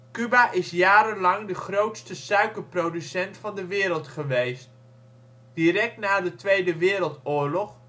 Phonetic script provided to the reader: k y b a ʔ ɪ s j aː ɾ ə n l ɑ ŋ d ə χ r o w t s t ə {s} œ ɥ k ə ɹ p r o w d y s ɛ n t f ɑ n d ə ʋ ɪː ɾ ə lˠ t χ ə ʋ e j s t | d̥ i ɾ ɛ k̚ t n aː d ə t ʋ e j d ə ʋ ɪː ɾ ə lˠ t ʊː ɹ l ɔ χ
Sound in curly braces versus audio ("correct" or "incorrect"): correct